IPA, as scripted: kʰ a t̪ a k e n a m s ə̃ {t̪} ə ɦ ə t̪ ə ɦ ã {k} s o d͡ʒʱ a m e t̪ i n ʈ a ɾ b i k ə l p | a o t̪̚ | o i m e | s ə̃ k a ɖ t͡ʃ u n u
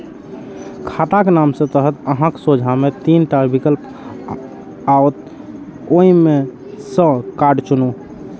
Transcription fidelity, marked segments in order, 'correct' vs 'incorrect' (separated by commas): correct, correct